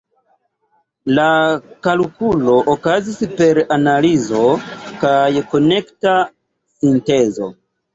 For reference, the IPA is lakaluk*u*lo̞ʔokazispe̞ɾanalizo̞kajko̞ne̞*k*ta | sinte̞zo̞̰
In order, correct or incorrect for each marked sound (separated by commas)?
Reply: correct, correct